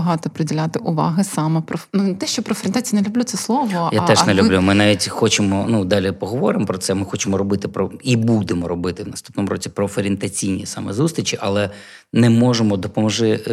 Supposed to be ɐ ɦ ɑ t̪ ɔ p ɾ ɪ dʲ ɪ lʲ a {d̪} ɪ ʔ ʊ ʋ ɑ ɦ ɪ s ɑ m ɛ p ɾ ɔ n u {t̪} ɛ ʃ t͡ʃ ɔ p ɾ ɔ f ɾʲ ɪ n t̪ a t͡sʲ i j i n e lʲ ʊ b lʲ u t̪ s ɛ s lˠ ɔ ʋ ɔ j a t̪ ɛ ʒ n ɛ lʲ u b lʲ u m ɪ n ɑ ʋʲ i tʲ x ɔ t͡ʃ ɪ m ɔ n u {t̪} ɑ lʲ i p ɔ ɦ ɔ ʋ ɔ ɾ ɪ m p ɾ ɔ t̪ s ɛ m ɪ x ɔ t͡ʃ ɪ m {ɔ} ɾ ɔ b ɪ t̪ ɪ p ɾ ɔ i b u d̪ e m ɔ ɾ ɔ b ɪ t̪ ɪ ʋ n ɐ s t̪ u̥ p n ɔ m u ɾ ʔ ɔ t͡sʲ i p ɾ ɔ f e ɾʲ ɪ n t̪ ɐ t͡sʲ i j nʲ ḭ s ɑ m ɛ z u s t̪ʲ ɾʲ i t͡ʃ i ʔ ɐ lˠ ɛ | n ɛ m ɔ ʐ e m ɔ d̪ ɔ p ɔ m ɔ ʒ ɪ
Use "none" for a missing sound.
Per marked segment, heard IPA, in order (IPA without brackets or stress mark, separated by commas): t̪, t̪, d̪, ɔ